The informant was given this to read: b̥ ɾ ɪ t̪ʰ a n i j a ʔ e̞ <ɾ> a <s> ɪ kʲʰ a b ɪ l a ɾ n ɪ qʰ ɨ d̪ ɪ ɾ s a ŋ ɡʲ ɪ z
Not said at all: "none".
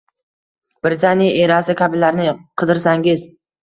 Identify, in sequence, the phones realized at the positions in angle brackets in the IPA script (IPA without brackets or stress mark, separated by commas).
ɾ, s